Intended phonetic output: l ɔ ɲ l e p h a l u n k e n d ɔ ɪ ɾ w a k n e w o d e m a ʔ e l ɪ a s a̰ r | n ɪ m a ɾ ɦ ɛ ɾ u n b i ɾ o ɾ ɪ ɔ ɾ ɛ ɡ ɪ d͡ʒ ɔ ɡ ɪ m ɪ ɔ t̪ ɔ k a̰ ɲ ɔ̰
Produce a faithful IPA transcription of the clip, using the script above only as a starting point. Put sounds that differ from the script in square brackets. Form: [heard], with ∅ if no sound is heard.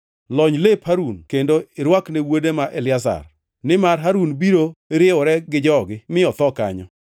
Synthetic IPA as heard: l ɔ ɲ l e p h a [ɾ] u n k e n d [o] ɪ ɾ w a k n e w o d e m a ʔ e l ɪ a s a̰ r | n ɪ m a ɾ ɦ [a] ɾ u n b i ɾ o ɾ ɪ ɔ ɾ ɛ ɡ ɪ d͡ʒ ɔ ɡ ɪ m ɪ ɔ t̪ ɔ k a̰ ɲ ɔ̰

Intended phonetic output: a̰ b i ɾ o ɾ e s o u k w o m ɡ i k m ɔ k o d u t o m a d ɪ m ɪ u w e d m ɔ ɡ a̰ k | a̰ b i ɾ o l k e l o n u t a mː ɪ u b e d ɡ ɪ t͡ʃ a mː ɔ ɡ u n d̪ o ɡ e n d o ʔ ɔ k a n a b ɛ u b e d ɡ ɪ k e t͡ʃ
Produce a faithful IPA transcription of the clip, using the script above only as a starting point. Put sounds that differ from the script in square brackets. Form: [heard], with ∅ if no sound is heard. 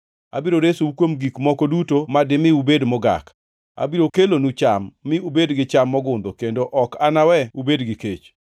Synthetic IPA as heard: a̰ b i ɾ o ɾ e s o u k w o m ɡ i k m ɔ k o d u t o m a d ɪ m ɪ u [b] e d m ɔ ɡ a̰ k | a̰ b i ɾ o [∅] k e l o n u [t͡ʃ] a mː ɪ u b e d ɡ ɪ t͡ʃ a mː ɔ ɡ [ʊ] n d̪ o [k] e n d o ʔ ɔ k a n a [w] ɛ u b e d ɡ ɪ k e t͡ʃ

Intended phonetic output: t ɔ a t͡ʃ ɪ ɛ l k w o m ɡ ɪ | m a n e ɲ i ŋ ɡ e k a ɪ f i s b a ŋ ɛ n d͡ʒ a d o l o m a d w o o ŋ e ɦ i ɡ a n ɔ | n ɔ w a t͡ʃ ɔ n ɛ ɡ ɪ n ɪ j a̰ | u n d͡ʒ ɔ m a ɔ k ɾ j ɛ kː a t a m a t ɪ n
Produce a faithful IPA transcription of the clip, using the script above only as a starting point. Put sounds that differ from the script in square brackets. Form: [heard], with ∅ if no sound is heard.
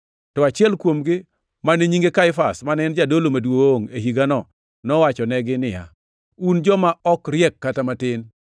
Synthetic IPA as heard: t ɔ a t͡ʃ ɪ ɛ l k w o m ɡ ɪ | m a n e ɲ i ŋ ɡ e k a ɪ f [a] s [m] a [n] ɛ n d͡ʒ a d o l o m a d w o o ŋ e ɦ i ɡ a n ɔ | n ɔ w a t͡ʃ ɔ n ɛ ɡ ɪ n ɪ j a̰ | u n d͡ʒ ɔ m a ɔ k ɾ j ɛ kː a t a m a t ɪ n

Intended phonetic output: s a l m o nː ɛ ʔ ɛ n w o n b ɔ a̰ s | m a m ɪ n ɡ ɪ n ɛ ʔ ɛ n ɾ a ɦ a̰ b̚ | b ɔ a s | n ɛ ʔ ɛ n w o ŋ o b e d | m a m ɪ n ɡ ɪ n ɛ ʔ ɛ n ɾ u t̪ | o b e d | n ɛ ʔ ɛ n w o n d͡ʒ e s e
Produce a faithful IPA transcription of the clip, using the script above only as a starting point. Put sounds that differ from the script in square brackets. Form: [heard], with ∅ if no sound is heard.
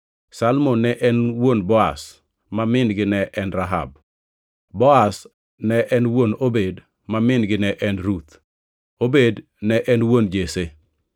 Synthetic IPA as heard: s a l m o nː ɛ ʔ ɛ n w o n b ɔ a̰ s | m a m ɪ n ɡ ɪ n ɛ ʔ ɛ n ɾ a ɦ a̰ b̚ | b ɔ a s | n ɛ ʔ ɛ n w o [n] o b e d | m a m ɪ n ɡ ɪ n ɛ ʔ ɛ n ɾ u t̪ | o b e d | n ɛ ʔ ɛ n w o n d͡ʒ e s e

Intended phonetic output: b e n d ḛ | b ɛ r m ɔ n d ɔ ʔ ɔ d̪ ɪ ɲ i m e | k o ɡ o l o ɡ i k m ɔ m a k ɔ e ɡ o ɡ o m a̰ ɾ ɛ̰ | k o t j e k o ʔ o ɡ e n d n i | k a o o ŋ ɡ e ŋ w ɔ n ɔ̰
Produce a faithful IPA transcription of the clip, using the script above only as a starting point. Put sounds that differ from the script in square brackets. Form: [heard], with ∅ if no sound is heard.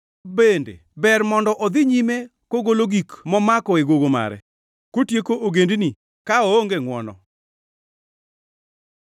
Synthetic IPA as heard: b e n d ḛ | b ɛ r m ɔ n d ɔ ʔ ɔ d̪ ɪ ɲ i m e | k o ɡ o l o ɡ i k m ɔ m a k ɔ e ɡ o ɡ o m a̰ ɾ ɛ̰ | k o t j e k o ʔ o ɡ e n d n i | k a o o ŋ ɡ e ŋ w ɔ n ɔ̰

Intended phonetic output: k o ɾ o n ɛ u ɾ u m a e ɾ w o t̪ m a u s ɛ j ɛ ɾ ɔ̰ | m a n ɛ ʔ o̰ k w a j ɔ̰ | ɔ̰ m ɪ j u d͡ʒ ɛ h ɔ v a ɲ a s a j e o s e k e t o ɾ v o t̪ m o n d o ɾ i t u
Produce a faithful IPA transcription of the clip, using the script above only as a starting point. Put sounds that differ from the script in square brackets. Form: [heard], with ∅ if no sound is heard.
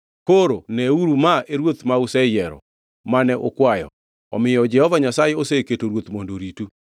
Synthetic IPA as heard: k o ɾ o n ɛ u ɾ u m a e ɾ w o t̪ m a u s ɛ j ɛ ɾ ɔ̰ | m a n ɛ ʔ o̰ k w a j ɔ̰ | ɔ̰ m ɪ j [ɔ] d͡ʒ ɛ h ɔ v a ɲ a s a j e o s e k e t o ɾ [w] o t̪ m o n d o ɾ i t u

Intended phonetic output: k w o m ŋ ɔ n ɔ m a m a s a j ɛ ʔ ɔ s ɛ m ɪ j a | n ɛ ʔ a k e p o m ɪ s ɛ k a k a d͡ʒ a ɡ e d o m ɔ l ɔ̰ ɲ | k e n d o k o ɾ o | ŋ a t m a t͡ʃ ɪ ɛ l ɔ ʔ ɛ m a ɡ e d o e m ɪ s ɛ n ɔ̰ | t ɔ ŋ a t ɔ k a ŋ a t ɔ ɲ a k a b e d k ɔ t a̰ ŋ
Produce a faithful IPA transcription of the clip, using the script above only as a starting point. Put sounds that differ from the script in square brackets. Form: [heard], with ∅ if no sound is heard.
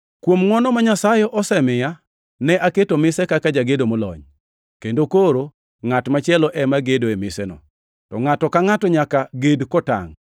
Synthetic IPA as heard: k w o m ŋ ɔ n ɔ m a [ɲ] a s a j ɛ ʔ ɔ s ɛ m ɪ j a | n ɛ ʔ a k e [t] o m ɪ s ɛ k a k a d͡ʒ a ɡ e d o m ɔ l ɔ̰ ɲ | k e n d o k o ɾ o | ŋ a t m a t͡ʃ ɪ ɛ l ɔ ʔ ɛ m a ɡ e d o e m ɪ s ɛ n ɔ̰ | t ɔ ŋ a t ɔ k a ŋ a t ɔ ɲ a k a [ɡ] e d k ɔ t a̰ ŋ

